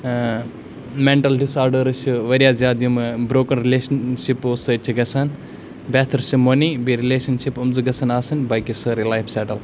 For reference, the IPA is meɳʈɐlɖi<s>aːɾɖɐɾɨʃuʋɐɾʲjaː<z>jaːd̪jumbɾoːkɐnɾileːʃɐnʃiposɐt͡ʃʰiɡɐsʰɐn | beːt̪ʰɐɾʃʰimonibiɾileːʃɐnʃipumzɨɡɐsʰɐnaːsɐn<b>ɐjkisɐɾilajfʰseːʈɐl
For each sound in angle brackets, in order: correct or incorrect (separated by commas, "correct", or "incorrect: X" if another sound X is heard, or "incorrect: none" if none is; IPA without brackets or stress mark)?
correct, correct, correct